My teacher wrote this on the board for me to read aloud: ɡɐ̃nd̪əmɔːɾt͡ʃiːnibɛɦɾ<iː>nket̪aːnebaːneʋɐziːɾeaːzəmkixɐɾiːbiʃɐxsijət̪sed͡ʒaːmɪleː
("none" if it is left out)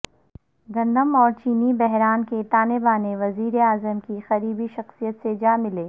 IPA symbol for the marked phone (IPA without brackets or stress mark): aː